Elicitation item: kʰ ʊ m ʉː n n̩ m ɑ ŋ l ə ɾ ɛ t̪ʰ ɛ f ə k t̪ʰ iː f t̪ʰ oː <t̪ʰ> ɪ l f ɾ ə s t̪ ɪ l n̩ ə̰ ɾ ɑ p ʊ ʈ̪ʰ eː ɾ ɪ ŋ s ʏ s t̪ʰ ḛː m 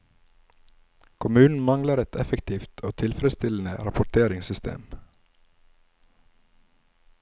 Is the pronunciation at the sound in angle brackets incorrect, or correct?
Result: correct